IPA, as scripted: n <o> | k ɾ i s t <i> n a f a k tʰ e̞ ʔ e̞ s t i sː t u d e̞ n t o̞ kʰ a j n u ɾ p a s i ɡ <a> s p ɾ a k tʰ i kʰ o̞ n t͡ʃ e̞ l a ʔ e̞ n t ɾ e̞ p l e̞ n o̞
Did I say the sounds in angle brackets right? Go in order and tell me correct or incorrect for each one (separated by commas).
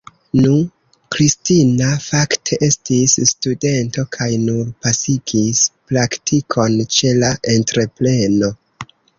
incorrect, correct, incorrect